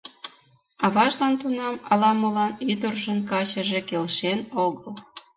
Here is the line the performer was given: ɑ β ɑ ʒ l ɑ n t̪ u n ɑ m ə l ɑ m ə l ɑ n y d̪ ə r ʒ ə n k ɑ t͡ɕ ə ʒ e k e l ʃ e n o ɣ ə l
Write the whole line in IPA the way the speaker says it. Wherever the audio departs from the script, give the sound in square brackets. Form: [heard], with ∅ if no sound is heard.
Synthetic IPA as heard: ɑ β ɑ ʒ l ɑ n t̪ u n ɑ m [ɑ] l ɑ m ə l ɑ n y d̪ ə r ʒ ə n k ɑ t͡ɕ ə ʒ e k e l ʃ e n o ɣ ə l